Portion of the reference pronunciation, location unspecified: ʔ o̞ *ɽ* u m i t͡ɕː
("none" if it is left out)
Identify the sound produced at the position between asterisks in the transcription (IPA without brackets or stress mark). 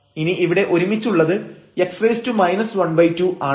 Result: ɾ